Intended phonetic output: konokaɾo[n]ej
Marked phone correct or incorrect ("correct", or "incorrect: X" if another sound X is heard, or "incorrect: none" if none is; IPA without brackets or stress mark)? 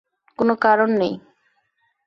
incorrect: nː